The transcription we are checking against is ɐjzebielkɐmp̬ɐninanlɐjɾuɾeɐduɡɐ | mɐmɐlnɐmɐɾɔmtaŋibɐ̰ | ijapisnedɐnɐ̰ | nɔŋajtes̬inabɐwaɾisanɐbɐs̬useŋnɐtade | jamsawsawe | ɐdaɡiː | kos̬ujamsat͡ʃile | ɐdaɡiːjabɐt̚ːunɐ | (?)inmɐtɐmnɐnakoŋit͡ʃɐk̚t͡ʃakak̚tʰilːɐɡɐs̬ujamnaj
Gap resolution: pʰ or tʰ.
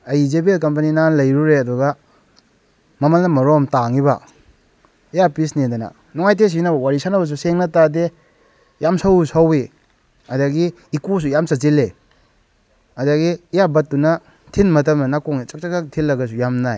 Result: tʰ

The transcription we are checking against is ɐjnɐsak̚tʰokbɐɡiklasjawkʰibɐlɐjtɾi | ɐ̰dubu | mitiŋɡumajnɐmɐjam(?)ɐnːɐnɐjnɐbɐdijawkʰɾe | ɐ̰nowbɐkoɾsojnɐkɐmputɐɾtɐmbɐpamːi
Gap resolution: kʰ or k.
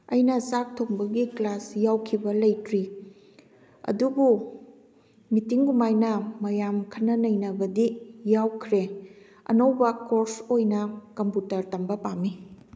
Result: kʰ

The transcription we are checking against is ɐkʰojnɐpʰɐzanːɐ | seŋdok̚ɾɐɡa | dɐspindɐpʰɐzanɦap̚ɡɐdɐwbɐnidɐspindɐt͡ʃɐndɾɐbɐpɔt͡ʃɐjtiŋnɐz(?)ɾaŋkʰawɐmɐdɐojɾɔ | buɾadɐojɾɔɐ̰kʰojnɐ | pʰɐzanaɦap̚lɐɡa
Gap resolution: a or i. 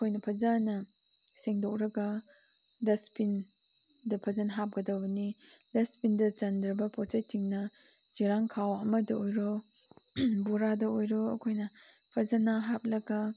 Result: i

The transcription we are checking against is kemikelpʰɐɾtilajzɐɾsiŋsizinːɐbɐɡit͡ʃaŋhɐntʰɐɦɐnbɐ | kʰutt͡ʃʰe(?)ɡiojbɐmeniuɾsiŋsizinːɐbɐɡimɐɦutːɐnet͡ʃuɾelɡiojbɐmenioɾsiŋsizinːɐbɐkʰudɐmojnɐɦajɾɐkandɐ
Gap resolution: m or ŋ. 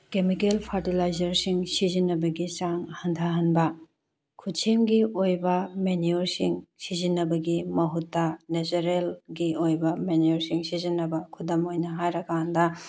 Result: m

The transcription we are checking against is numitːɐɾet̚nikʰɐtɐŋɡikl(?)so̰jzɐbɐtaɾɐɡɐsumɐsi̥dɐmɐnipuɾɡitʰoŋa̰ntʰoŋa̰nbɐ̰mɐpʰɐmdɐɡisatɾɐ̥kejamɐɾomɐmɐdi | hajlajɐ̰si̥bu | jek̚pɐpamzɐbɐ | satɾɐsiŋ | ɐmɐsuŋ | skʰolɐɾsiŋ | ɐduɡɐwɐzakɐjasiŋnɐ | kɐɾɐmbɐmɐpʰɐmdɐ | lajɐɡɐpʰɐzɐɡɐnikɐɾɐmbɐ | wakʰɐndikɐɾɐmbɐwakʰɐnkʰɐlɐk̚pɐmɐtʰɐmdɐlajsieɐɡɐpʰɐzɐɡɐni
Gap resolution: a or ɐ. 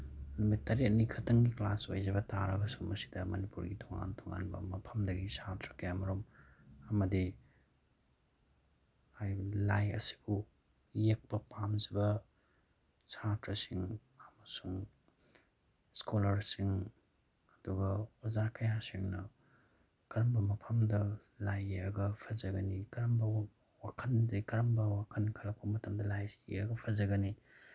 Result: a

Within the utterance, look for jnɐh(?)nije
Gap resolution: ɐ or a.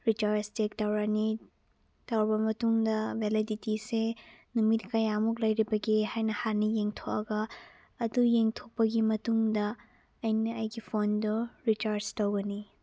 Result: a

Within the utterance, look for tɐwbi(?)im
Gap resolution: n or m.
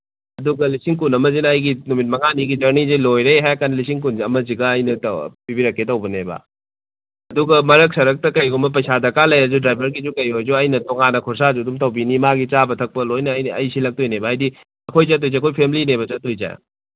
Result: n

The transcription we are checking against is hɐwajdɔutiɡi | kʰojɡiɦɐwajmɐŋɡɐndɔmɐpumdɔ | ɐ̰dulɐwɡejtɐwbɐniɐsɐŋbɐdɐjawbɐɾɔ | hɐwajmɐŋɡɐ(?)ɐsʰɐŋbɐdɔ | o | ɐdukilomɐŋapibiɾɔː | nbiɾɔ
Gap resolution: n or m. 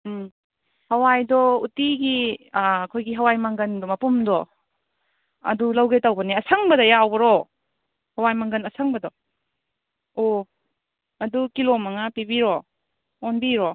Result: n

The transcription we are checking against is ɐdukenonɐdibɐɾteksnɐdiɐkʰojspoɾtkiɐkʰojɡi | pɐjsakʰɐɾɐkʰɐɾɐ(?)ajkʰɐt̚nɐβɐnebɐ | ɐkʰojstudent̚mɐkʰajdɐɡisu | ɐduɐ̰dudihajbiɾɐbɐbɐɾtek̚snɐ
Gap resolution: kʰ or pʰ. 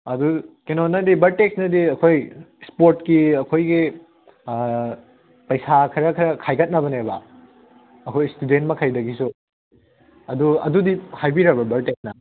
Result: kʰ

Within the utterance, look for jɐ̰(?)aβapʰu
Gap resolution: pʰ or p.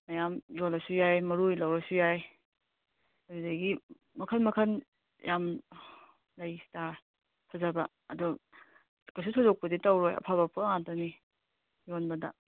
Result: pʰ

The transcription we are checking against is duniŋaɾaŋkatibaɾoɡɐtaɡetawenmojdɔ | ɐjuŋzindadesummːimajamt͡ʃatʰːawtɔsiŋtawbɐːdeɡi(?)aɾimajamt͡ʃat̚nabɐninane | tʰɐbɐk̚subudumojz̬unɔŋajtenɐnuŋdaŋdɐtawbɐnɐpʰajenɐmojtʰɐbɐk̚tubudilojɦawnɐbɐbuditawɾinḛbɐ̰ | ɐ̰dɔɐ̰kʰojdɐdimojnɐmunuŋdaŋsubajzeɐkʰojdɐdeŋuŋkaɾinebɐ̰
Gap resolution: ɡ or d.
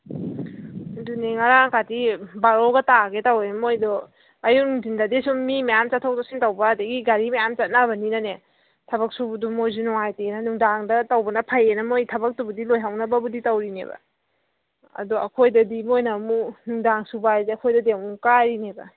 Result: ɡ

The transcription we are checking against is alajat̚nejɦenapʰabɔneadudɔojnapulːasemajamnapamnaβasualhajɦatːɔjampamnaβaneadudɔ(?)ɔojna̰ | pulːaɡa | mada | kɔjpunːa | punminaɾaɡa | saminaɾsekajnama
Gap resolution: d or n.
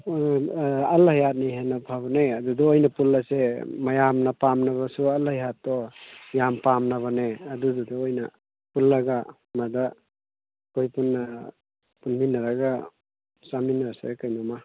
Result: d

